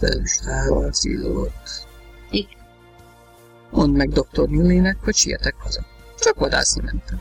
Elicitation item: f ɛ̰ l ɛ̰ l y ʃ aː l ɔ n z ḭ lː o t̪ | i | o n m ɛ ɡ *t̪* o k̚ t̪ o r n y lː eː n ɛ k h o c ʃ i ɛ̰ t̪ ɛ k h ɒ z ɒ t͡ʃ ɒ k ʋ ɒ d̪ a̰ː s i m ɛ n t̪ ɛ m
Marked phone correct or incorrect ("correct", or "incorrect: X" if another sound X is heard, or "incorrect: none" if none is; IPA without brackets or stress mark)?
incorrect: d̪